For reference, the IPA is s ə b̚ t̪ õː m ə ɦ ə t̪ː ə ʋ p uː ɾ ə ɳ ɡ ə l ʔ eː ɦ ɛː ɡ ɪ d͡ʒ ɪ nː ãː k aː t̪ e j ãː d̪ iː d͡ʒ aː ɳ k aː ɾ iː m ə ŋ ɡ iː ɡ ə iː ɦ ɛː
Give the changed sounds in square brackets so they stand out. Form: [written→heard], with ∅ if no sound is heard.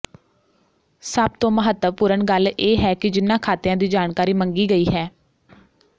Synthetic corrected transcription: s ə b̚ t̪ õː m ə ɦ ə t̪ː ə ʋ p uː ɾ ə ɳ ɡ ə l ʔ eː ɦ ɛː [ɡ→k] ɪ d͡ʒ ɪ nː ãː [k→kʰ] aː t̪ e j ãː d̪ iː d͡ʒ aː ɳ k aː ɾ iː m ə ŋ ɡ iː ɡ ə iː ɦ ɛː